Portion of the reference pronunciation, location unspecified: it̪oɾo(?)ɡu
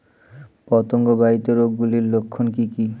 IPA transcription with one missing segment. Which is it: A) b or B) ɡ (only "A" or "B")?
B